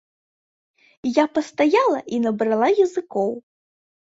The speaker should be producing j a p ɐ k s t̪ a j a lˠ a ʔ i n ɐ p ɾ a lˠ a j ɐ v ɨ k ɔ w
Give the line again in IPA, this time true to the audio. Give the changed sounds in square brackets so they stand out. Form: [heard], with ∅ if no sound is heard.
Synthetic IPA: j a p ɐ [∅] s t̪ a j a lˠ [ɐ] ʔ i n ɐ [b] ɾ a lˠ a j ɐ [z] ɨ k ɔ w